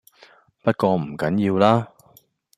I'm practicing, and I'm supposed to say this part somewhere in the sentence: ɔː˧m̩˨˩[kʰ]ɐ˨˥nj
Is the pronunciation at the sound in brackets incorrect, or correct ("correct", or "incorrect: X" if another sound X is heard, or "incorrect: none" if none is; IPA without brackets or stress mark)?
incorrect: k